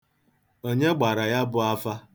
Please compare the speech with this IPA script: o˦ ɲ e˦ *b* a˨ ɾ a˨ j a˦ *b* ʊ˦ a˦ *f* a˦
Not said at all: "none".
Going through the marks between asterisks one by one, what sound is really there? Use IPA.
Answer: ɡ͡b, b, f

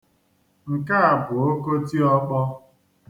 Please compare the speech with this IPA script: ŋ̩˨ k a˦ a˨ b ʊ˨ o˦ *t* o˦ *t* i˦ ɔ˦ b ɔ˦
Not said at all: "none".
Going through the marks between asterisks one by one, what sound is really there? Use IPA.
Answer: k, t

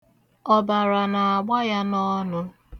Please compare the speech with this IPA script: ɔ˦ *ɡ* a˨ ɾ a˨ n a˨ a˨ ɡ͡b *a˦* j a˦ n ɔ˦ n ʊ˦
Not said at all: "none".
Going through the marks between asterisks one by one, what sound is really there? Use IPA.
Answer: b, a˦

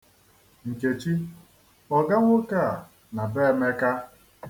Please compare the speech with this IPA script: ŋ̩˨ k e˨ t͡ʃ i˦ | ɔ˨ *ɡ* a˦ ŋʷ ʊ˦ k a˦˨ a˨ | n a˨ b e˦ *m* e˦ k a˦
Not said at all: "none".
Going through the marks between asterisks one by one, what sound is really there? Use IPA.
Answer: ɡ, m

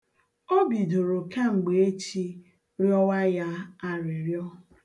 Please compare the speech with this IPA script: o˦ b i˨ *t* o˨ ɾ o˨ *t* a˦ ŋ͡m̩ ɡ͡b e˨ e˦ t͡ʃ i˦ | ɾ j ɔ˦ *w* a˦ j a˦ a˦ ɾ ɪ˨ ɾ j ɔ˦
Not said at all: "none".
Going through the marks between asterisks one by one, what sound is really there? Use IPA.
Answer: d, k, w

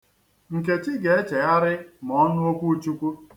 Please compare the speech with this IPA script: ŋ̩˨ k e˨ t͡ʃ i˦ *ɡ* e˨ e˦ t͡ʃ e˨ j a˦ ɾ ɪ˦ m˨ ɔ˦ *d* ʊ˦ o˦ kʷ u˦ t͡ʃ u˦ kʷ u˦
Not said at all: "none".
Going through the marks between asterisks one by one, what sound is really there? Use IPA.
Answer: ɡ, n

